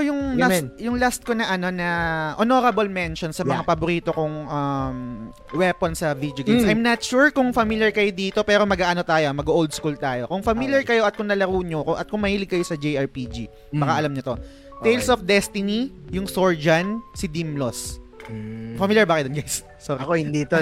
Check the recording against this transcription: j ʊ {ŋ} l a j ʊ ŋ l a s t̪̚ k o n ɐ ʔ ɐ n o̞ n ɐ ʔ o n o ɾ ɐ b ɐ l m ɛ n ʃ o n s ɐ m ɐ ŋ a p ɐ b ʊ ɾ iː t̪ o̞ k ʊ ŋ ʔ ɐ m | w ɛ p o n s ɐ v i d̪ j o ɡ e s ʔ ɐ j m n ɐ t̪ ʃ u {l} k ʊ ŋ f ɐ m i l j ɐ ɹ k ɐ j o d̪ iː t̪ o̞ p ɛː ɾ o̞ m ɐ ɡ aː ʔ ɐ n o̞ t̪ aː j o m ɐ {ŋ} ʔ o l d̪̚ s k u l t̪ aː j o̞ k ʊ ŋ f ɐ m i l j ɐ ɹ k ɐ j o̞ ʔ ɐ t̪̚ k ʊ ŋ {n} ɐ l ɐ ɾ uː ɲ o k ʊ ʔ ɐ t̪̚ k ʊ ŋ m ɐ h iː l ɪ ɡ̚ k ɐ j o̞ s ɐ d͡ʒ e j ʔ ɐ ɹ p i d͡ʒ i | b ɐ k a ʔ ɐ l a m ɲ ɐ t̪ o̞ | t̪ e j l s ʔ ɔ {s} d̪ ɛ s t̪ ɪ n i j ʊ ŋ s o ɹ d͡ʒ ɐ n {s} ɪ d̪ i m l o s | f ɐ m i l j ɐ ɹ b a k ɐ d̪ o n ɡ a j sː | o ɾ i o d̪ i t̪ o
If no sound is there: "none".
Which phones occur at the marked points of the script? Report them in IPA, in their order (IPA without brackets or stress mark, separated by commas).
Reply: ŋ, ɹ, ɡ, n, f, s